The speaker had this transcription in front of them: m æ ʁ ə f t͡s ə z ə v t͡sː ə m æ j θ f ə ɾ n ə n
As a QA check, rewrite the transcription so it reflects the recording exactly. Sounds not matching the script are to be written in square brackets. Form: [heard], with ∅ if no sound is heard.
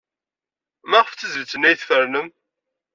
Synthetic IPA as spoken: m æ ʁ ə f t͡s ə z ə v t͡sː ə [n] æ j θ f ə ɾ n ə [m]